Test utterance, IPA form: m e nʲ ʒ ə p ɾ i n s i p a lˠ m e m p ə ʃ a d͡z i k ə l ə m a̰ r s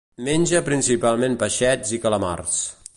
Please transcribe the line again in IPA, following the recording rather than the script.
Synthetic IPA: m e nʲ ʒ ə p ɾ i n s i p a lˠ m e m p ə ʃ ɛ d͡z i k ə l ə m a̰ r s